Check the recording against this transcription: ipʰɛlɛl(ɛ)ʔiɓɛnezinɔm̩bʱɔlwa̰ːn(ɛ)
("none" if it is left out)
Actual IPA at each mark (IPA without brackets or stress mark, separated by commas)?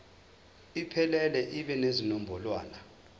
ɛ, a